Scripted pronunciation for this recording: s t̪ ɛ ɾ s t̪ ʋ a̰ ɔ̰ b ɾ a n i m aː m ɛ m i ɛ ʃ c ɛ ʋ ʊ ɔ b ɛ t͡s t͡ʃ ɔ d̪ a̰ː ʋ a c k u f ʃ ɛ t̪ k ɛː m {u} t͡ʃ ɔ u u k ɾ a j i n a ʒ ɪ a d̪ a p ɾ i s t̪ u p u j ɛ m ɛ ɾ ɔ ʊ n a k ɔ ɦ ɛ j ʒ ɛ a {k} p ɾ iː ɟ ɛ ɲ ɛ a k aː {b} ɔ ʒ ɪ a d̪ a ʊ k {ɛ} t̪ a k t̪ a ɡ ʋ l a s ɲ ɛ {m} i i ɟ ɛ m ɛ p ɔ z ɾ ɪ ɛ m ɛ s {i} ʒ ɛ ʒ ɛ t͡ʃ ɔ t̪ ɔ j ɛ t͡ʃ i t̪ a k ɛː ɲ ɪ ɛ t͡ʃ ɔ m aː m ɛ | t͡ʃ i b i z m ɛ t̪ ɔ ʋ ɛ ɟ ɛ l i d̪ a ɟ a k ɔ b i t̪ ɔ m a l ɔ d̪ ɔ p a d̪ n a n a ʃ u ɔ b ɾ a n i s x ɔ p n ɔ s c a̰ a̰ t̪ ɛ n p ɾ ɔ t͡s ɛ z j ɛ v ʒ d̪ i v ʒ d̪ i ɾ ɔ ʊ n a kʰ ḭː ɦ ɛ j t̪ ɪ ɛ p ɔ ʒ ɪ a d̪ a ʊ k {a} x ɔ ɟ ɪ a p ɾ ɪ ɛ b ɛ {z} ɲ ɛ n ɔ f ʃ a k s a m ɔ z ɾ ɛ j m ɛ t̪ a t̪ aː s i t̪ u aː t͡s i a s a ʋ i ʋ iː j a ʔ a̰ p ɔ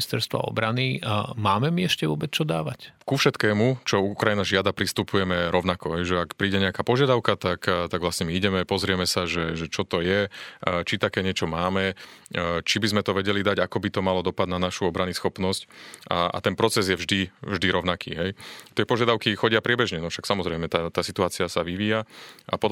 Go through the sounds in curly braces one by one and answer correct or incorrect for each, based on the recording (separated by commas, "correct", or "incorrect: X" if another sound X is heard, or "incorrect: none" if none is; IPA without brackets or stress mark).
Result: correct, correct, incorrect: p, incorrect: a, correct, incorrect: a, incorrect: i, incorrect: ʒ